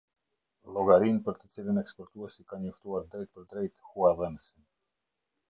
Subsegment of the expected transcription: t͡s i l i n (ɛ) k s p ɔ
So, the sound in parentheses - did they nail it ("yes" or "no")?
yes